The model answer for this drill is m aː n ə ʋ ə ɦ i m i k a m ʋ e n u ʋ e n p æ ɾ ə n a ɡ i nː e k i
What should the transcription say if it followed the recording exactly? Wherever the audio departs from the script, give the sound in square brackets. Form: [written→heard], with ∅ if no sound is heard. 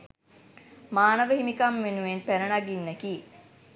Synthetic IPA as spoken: m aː n ə ʋ ə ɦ i m i k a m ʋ e n u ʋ e n p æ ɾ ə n a ɡ i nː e k i